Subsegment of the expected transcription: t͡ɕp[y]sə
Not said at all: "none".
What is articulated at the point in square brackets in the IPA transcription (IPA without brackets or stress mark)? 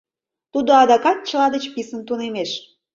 i